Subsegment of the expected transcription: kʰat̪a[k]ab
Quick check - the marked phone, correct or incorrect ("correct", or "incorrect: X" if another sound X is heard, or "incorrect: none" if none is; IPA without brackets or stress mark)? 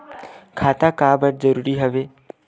correct